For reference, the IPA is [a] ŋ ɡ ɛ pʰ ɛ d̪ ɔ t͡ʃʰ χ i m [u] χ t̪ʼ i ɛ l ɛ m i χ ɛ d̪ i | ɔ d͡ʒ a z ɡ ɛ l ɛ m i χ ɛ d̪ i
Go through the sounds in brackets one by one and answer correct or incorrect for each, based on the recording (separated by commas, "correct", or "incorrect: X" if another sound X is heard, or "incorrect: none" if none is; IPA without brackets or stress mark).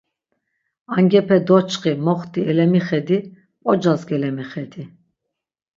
correct, incorrect: ɔ